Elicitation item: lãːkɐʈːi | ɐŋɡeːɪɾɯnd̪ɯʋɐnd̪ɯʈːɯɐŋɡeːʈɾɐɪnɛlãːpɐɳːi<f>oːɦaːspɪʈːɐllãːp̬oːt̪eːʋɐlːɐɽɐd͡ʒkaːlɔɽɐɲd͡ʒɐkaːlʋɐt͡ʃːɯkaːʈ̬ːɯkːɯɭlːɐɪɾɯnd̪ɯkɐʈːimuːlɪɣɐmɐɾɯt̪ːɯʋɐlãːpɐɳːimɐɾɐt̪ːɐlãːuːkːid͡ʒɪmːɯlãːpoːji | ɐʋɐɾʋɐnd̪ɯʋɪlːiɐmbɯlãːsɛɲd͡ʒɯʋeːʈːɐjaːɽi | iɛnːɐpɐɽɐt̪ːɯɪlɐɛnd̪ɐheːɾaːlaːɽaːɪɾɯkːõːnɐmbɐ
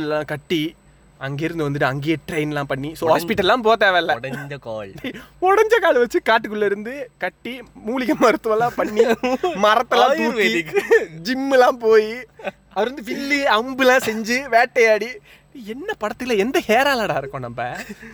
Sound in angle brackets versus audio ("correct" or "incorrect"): incorrect